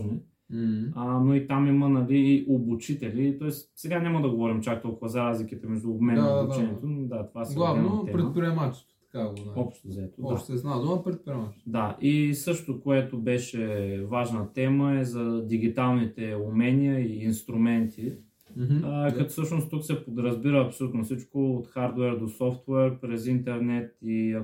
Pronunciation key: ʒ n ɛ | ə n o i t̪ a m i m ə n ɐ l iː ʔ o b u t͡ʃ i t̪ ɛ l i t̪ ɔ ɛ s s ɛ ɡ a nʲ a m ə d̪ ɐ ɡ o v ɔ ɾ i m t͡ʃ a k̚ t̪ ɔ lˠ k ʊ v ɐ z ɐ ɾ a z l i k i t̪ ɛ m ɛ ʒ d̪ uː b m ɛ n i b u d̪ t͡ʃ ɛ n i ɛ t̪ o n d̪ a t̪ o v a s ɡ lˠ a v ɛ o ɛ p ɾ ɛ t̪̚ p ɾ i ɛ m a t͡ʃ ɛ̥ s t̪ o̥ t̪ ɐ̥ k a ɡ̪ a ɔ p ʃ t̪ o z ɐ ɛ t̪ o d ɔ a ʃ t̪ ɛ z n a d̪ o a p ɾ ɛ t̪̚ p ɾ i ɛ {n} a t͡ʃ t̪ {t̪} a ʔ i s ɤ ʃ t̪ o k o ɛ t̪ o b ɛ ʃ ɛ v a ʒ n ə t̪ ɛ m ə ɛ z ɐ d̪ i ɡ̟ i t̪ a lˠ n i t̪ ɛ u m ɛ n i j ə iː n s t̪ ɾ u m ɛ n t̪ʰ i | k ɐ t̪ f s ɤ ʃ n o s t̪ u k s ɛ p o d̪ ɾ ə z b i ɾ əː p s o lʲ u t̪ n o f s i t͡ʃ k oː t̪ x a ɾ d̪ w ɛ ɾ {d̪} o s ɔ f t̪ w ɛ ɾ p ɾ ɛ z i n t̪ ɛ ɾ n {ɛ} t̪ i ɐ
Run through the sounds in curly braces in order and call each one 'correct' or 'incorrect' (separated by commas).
incorrect, incorrect, correct, correct